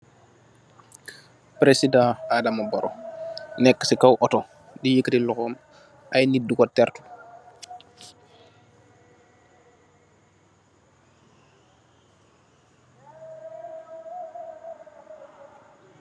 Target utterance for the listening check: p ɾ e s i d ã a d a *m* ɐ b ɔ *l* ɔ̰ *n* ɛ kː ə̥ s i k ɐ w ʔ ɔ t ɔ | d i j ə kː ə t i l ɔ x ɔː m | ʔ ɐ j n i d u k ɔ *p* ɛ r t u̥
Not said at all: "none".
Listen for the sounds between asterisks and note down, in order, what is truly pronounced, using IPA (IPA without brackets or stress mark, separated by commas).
m, ɾ, n, t